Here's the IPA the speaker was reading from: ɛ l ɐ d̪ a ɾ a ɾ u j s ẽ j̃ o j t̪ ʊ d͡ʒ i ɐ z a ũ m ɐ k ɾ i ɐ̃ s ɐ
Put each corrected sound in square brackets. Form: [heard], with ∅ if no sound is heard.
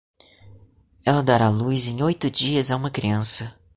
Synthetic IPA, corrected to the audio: ɛ l ɐ d̪ a ɾ a [l] u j [z] ẽ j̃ o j t̪ ʊ d͡ʒ i ɐ z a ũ m ɐ k ɾ i ɐ̃ s ɐ